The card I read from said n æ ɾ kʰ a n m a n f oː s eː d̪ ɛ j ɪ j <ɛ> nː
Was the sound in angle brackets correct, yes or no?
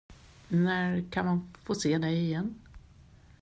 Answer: yes